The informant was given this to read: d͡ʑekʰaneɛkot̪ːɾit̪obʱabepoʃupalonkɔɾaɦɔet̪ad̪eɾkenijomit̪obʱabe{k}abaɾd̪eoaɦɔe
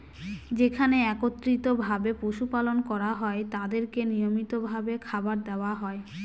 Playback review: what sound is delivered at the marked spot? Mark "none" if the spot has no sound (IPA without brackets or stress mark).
kʰ